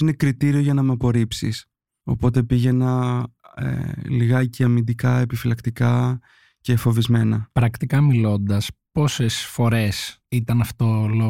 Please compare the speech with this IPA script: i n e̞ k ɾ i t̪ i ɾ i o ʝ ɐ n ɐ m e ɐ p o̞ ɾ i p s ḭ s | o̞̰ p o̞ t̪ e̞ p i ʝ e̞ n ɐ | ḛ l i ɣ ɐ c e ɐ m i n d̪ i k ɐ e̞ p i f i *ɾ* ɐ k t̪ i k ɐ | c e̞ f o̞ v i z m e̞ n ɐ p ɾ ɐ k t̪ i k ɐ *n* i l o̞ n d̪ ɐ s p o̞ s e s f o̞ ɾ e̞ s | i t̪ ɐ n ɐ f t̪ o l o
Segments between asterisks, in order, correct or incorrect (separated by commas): incorrect, incorrect